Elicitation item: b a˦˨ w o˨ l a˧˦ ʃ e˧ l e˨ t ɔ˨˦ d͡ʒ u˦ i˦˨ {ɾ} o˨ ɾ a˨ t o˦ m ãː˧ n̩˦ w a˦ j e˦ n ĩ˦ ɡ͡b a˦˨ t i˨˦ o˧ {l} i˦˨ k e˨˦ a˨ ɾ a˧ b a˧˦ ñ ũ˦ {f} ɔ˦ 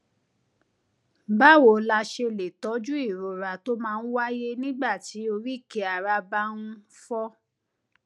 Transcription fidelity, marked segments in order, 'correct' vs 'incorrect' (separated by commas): correct, incorrect, correct